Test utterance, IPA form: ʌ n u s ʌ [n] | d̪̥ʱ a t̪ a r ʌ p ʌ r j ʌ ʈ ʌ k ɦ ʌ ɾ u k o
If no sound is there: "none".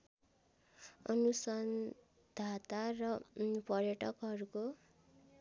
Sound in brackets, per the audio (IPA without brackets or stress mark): n